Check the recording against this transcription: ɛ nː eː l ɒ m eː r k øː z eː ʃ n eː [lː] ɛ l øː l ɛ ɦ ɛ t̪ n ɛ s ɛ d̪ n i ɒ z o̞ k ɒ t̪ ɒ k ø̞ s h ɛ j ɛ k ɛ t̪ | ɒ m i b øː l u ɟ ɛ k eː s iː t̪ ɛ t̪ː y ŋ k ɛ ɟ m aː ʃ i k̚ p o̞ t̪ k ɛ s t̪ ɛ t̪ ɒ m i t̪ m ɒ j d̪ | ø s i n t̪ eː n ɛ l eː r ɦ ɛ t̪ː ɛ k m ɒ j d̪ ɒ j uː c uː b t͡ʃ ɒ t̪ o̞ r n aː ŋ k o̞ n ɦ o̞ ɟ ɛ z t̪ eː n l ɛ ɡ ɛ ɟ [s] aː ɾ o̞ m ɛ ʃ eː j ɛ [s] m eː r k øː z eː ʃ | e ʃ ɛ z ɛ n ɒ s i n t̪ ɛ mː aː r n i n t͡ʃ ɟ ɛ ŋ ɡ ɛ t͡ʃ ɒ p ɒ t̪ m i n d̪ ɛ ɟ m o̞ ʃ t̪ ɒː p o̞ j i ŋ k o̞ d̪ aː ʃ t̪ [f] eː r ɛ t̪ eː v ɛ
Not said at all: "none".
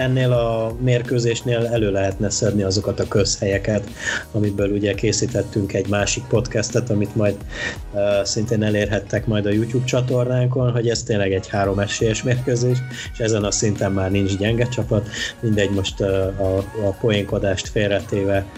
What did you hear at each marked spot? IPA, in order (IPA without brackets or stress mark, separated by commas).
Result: l, h, ʃ, f